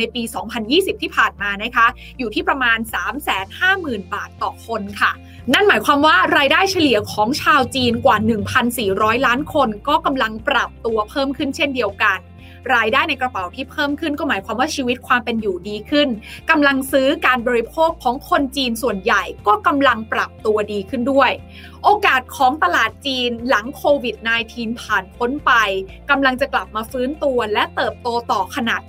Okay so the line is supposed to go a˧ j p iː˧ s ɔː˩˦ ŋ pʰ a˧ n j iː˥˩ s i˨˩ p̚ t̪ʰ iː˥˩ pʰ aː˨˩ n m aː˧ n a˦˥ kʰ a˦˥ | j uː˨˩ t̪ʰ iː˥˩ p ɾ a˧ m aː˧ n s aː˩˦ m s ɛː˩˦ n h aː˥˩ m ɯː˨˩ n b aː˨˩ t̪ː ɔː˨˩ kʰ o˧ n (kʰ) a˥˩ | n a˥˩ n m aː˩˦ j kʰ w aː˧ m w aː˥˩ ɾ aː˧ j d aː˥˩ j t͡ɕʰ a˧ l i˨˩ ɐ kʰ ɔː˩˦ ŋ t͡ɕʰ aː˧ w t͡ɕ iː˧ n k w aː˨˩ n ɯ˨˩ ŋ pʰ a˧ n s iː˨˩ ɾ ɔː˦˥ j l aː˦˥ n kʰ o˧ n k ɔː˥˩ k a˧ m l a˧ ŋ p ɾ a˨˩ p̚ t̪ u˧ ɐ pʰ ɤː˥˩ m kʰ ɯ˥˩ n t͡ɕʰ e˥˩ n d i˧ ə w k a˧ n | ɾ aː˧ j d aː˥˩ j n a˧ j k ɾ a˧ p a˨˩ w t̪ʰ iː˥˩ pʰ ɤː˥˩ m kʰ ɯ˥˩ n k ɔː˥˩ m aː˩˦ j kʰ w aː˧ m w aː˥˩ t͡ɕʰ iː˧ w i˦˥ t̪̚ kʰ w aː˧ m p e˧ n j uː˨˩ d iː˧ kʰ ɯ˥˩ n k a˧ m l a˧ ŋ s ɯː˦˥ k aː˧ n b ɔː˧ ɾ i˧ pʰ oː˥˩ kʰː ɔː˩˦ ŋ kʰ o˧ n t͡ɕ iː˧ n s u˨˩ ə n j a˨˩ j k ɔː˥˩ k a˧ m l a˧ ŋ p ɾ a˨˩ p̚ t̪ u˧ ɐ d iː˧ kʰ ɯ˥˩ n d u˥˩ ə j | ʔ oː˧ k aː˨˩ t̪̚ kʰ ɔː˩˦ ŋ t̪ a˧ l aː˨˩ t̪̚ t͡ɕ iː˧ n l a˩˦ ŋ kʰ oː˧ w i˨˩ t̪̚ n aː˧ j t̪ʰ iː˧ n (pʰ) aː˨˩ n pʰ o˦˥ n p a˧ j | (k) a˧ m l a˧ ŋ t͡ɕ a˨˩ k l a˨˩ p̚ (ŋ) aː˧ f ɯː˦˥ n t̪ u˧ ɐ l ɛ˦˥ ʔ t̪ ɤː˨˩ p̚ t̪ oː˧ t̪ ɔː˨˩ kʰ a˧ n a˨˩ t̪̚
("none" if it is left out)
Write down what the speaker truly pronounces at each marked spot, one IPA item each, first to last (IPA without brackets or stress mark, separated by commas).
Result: kʰ, pʰ, k, m